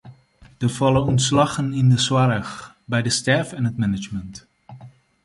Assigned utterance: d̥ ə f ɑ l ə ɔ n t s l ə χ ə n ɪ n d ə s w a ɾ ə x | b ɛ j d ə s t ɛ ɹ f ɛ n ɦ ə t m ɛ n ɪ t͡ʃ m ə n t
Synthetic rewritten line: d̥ ə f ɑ l ə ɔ n t s l ɑ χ ə n ɪ n d ə s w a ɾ ə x | b ɛ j d ə s t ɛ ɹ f ɛ n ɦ ə t m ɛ n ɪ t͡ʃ m ə n t